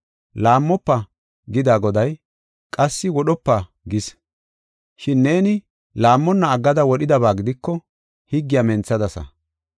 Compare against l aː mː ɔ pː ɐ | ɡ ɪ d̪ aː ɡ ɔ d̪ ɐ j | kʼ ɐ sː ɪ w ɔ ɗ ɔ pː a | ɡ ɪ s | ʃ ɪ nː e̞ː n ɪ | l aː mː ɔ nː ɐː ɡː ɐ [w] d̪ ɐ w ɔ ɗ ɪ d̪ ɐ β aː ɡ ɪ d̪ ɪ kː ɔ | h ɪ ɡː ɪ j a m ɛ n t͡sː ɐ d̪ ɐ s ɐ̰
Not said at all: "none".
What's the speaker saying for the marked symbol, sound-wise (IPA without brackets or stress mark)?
none